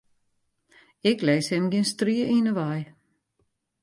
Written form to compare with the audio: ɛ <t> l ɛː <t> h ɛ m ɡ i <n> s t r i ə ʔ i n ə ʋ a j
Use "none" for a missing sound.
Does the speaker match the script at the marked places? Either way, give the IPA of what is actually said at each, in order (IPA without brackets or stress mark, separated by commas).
k, s, n